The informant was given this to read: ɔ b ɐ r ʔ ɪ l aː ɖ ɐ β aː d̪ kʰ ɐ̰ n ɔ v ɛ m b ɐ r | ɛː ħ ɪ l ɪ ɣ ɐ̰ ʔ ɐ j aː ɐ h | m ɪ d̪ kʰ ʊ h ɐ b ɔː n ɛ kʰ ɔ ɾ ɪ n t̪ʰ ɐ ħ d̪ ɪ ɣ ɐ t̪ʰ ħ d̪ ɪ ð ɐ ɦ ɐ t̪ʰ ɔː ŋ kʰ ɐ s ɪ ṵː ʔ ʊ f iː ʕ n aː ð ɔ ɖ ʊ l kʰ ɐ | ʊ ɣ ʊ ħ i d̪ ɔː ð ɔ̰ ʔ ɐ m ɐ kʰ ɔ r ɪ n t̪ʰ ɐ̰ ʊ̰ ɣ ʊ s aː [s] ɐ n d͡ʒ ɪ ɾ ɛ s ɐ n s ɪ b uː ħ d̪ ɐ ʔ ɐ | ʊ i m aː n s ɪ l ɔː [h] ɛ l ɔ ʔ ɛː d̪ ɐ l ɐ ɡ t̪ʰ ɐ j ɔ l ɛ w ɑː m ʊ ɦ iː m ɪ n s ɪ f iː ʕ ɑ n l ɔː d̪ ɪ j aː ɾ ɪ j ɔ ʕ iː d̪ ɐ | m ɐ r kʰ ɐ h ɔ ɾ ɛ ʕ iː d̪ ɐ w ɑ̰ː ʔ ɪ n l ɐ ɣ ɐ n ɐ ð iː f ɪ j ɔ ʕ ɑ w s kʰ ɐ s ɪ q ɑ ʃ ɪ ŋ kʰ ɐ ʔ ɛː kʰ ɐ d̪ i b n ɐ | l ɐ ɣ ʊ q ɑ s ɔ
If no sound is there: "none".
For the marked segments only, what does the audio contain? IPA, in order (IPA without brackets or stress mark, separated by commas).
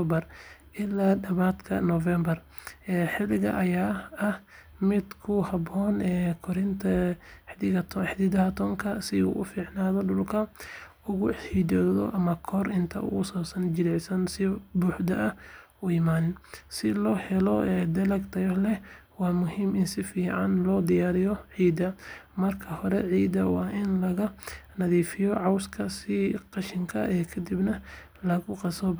s, h